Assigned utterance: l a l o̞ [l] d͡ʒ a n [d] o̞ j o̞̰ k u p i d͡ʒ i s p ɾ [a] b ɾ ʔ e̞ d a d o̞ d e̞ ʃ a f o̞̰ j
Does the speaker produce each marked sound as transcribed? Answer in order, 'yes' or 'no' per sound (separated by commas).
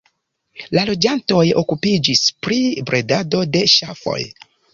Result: no, no, no